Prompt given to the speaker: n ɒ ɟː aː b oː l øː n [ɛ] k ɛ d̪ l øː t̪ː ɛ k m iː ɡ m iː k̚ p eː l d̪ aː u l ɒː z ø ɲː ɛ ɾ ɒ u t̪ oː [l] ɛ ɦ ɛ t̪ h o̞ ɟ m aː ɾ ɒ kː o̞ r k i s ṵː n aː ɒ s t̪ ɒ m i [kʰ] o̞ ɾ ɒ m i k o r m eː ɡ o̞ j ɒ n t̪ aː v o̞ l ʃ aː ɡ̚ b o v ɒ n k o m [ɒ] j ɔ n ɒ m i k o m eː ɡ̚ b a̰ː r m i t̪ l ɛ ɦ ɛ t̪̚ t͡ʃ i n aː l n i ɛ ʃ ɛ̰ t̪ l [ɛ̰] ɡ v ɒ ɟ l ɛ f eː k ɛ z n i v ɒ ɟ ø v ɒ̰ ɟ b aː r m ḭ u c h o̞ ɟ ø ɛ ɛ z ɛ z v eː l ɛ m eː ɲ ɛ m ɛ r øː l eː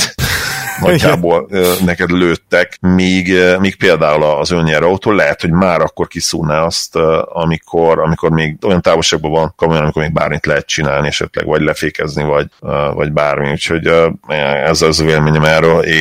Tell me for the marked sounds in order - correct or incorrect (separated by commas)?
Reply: correct, correct, correct, incorrect, correct